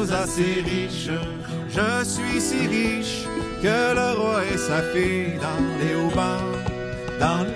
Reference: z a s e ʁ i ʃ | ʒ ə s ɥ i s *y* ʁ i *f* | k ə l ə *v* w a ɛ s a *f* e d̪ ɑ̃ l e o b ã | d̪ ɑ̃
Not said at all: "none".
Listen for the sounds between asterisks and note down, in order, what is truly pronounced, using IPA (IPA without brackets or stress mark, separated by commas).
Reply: i, ʃ, ʁ, f